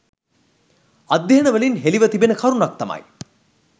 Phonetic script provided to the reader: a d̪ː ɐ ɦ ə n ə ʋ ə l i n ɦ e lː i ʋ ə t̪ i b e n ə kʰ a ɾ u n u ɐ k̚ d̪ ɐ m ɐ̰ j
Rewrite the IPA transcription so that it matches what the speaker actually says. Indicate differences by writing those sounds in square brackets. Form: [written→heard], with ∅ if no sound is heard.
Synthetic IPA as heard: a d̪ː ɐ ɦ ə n ə ʋ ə l i n ɦ e [lː→l] i ʋ ə t̪ i b e n ə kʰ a ɾ u n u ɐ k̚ [d̪→t̪] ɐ m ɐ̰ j